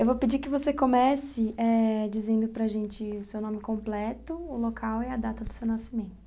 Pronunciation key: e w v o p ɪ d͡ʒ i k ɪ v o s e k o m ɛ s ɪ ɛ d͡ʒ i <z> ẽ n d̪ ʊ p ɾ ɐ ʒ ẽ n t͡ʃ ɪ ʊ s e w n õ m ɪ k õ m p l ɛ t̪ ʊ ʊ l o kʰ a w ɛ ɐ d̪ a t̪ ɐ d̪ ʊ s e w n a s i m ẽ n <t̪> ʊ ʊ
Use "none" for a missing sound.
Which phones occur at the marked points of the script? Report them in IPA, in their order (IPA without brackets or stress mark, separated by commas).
z, t̪